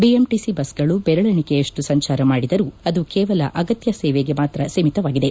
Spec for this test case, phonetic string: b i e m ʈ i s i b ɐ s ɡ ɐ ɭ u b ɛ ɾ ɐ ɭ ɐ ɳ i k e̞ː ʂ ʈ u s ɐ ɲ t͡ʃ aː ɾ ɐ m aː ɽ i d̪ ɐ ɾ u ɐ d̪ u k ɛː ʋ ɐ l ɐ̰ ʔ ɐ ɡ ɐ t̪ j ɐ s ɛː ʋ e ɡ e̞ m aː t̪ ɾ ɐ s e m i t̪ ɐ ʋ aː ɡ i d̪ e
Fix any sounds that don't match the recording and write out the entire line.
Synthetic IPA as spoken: b i e m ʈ i s i b ɐ s ɡ ɐ ɭ u b ɛ ɾ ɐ ɭ ɐ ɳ i k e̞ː ʂ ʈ u s ɐ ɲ t͡ʃ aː ɾ ɐ m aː ɽ i d̪ ɐ ɾ u ɐ d̪ u k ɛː ʋ ɐ l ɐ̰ ʔ ɐ ɡ ɐ t̪ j ɐ s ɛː ʋ e ɡ e̞ m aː t̪ ɾ ɐ s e m i t̪ ɐ ʋ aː ɡ i d̪ e